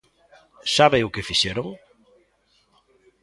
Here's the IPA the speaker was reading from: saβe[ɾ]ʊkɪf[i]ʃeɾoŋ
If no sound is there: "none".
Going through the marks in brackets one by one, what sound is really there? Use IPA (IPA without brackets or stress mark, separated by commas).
none, i